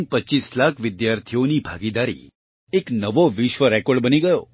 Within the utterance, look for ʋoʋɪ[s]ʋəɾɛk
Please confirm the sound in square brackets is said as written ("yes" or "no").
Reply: no